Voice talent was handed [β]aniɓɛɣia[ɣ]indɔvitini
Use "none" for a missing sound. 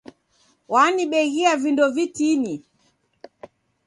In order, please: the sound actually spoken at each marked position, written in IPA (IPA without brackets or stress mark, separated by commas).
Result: w, v